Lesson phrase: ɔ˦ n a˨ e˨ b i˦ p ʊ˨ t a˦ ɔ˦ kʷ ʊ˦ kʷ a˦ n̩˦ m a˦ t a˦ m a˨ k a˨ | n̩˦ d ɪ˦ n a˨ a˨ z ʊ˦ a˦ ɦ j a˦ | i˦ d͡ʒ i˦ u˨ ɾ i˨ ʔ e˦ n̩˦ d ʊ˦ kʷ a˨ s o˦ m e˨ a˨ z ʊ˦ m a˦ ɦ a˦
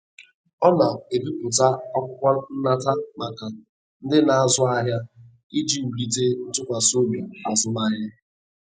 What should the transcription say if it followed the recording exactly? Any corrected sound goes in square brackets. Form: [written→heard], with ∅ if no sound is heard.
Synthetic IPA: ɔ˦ n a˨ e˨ b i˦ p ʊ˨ t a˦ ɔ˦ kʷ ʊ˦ kʷ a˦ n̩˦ [m→n] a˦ t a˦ m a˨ k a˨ | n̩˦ d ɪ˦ n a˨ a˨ z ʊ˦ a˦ ɦ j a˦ | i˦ d͡ʒ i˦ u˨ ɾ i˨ [ʔ→t] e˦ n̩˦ [d→t] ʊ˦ kʷ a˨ s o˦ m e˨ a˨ z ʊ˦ m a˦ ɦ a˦